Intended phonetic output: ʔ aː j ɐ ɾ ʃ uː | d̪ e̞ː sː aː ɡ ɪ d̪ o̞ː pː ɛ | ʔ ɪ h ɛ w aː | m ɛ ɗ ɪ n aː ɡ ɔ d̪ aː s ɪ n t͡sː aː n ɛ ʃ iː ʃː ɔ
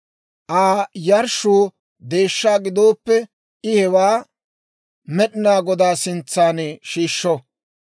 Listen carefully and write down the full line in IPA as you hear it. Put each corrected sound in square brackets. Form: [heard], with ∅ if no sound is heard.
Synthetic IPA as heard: ʔ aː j ɐ ɾ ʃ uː | d̪ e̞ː [ʃː] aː ɡ ɪ d̪ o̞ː pː ɛ | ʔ ɪ h ɛ w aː | m ɛ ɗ ɪ n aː ɡ ɔ d̪ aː s ɪ n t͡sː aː n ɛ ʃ iː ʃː ɔ